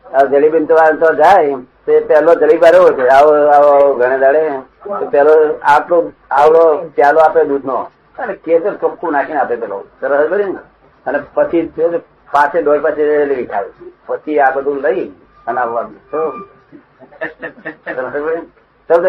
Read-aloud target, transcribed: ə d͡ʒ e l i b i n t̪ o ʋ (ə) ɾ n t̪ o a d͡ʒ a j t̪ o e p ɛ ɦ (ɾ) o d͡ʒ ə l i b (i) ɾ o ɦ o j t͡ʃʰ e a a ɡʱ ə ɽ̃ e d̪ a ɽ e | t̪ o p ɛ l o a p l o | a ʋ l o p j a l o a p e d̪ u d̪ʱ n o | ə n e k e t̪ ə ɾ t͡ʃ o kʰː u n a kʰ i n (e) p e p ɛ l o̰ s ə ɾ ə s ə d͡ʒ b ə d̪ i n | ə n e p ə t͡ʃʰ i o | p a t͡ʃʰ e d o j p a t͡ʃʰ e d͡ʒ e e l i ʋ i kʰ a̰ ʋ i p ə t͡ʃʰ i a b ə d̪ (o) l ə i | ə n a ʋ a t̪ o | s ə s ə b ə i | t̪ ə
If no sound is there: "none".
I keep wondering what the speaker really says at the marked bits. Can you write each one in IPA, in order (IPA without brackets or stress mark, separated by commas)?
a, l, a, a, u